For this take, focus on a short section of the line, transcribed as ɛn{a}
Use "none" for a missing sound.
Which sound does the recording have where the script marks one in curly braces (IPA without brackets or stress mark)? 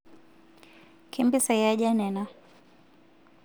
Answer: a